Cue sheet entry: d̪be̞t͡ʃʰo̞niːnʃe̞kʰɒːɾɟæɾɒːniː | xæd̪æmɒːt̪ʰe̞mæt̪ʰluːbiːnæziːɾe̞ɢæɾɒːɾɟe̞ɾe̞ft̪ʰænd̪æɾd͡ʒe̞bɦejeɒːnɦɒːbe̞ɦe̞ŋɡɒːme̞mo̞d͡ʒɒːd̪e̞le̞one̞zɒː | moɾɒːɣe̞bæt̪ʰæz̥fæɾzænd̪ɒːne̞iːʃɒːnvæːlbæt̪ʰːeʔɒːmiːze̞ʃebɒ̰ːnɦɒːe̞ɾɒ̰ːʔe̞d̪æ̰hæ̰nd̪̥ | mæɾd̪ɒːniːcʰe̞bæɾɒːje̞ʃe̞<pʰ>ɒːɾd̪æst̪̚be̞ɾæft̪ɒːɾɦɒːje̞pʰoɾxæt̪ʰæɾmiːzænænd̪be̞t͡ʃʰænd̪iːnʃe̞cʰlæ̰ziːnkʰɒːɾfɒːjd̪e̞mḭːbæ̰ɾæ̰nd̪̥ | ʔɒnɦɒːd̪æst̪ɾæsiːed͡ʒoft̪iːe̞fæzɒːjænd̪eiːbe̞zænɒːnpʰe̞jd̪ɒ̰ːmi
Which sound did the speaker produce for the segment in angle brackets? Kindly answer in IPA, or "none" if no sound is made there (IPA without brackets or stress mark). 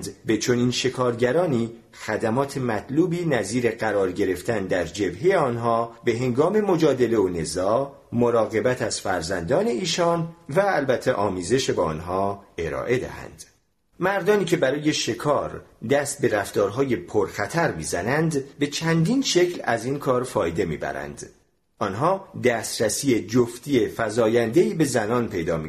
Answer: kʰ